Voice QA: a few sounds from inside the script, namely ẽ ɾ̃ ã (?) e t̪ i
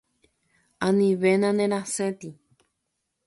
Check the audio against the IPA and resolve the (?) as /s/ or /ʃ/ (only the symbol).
s